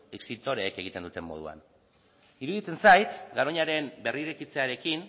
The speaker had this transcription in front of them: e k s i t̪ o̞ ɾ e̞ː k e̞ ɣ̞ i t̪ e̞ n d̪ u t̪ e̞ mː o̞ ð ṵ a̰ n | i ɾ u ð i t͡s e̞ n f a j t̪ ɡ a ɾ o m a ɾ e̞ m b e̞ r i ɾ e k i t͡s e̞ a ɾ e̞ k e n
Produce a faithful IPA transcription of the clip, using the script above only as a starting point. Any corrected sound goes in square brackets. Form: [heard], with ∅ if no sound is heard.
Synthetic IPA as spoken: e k s i t̪ o̞ ɾ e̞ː k e̞ ɣ̞ i t̪ e̞ n d̪ u t̪ e̞ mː o̞ ð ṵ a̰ n | i ɾ u ð i t͡s e̞ n [s] a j t̪ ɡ a ɾ o [ɲ] a ɾ e̞ m b e̞ r i ɾ e k i t͡s e̞ a ɾ e̞ k [i] n